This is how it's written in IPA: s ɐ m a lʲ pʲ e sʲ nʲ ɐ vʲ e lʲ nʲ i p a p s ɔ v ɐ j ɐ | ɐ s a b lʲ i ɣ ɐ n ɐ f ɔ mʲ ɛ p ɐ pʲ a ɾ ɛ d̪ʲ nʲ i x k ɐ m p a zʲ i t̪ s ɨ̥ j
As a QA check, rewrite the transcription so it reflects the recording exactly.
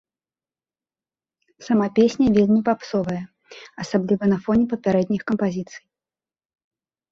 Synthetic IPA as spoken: s ɐ m a pʲ e sʲ nʲ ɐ vʲ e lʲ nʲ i p a p s ɔ v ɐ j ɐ | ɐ s a b lʲ i v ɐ n ɐ f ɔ nʲ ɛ p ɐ pʲ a ɾ ɛ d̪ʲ nʲ i x k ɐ m p a zʲ i t̪ s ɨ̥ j

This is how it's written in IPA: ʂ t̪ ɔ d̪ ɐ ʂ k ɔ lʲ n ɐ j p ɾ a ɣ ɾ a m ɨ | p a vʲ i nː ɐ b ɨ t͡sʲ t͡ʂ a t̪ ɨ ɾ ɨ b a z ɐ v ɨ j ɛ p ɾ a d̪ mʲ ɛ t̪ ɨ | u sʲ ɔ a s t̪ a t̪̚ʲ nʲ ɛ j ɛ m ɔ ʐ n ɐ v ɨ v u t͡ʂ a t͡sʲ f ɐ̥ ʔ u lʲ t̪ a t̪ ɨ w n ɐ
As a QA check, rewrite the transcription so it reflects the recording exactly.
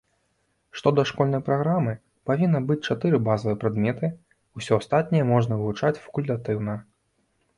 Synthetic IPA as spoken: ʂ t̪ ɔ d̪ ɐ ʂ k ɔ lʲ n ɐ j p ɾ a ɣ ɾ a m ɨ | p a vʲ i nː ɐ b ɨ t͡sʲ t͡ʂ a t̪ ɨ ɾ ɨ b a z ɐ v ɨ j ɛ p ɾ a d̪ mʲ ɛ t̪ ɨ | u sʲ ɔ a s t̪ a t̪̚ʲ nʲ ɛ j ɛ m ɔ ʐ n ɐ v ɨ v u t͡ʂ a t͡sʲ f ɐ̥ k u lʲ t̪ a t̪ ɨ w n ɐ

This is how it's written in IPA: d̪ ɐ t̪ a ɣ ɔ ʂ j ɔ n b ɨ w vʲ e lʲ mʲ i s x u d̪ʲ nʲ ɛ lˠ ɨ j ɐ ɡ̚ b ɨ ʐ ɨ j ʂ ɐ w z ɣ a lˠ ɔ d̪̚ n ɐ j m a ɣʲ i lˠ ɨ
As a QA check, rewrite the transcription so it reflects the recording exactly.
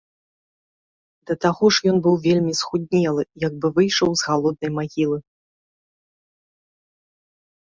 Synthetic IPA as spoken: d̪ ɐ t̪ a ɣ ɔ ʂ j ɔ n b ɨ w vʲ e lʲ mʲ i s x u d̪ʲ nʲ ɛ lˠ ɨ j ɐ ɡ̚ b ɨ v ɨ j ʂ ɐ w z ɣ a lˠ ɔ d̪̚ n ɐ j m a ɣʲ i lˠ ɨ

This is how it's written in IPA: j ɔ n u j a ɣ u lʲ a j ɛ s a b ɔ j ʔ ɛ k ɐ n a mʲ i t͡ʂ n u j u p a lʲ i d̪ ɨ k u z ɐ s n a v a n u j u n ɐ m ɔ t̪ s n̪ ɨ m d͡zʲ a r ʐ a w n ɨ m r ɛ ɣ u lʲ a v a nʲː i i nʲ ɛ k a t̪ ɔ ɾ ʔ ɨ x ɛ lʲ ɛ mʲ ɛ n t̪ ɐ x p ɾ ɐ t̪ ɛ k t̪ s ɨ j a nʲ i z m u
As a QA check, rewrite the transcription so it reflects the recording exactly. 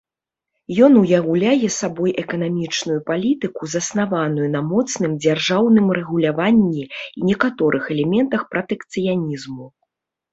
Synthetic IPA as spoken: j ɔ n u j a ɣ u lʲ a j ɛ s a b ɔ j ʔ ɛ k ɐ n a mʲ i t͡ʂ n u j u p a lʲ i t̪ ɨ k u z ɐ s n a v a n u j u n ɐ m ɔ t̪ s n̪ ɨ m d͡zʲ a r ʐ a w n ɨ m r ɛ ɣ u lʲ a v a nʲː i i nʲ ɛ k a t̪ ɔ ɾ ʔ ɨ x ɛ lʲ ɛ mʲ ɛ n t̪ ɐ x p ɾ ɐ t̪ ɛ k t̪ s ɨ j a nʲ i z m u

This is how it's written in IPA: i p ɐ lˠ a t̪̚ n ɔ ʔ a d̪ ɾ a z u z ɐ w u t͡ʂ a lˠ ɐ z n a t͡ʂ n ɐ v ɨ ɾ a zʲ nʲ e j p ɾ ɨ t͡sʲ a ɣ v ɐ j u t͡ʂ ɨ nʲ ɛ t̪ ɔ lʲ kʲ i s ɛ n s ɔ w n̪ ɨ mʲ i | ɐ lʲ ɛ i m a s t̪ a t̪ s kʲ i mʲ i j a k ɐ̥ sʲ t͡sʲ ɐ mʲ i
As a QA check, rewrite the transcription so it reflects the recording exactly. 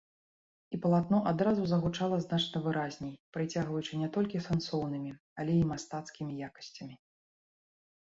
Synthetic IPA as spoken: i p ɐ lˠ a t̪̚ n ɔ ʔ a d̪ ɾ a z u z ɐ ɣ u t͡ʂ a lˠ ɐ z n a t͡ʂ n ɐ v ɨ ɾ a zʲ nʲ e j p ɾ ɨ t͡sʲ a ɣ v ɐ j u t͡ʂ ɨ nʲ ɛ t̪ ɔ lʲ kʲ i s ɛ n s ɔ w n̪ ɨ mʲ i | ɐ lʲ ɛ i m a s t̪ a t̪ s kʲ i mʲ i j a k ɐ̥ sʲ t͡sʲ ɐ mʲ i

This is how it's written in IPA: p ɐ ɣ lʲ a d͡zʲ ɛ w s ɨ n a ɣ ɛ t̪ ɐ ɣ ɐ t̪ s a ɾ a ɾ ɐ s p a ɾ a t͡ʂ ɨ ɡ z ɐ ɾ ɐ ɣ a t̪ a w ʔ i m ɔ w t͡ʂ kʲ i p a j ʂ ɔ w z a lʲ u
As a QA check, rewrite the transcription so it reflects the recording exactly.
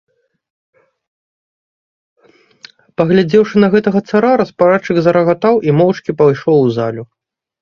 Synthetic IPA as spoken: p ɐ ɣ lʲ a d͡zʲ ɛ w ʂ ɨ n ɐ ɣ ɛ t̪ ɐ ɣ ɐ t̪ s a ɾ a ɾ ɐ s p a ɾ a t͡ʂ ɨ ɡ z ɐ ɾ ɐ ɣ a t̪ a w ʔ i m ɔ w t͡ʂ kʲ i p a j ʂ ɔ w z a lʲ u

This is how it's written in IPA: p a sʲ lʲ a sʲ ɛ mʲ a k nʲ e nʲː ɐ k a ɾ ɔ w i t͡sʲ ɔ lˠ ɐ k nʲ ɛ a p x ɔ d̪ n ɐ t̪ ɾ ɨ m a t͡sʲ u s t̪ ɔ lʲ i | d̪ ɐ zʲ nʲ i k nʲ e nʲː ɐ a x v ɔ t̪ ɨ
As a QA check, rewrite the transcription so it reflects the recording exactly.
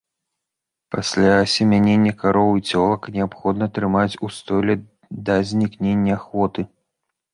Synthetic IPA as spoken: p a sʲ lʲ a sʲ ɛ mʲ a nʲ e nʲː ɐ k a ɾ ɔ w i t͡sʲ ɔ lˠ ɐ k nʲ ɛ a p x ɔ d̪ n ɐ t̪ ɾ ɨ m a t͡sʲ u s t̪ ɔ lʲ ɛ | d̪ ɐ zʲ nʲ i k nʲ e nʲː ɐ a x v ɔ t̪ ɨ

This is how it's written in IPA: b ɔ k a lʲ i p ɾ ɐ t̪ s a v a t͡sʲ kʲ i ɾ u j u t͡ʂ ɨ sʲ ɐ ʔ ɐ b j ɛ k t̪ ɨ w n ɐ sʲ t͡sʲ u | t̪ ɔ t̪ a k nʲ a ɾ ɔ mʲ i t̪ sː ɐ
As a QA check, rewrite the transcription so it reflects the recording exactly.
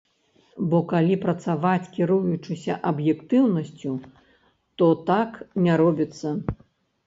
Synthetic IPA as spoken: b ɔ k a lʲ i p ɾ ɐ t̪ s a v a t͡sʲ kʲ i ɾ u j u t͡ʂ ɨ sʲ ɐ ʔ ɐ b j ɛ k t̪ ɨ w n ɐ sʲ t͡sʲ u | t̪ ɔ t̪ a k nʲ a ɾ ɔ bʲ i t̪ sː ɐ

